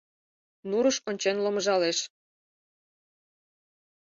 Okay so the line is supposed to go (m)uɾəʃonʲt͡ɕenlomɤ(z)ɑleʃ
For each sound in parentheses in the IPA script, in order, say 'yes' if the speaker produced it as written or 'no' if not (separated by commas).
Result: no, no